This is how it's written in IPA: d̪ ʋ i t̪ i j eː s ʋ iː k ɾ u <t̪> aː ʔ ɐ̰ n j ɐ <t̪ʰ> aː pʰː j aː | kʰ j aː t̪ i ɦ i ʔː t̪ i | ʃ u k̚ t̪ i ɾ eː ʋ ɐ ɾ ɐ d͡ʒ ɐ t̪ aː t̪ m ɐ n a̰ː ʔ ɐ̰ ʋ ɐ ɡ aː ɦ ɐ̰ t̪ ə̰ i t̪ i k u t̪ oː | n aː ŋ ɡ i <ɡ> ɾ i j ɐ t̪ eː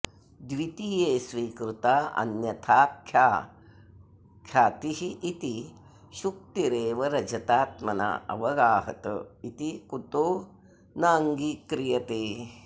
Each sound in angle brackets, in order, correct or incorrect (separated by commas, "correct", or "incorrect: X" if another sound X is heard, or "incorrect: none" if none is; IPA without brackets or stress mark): correct, correct, incorrect: k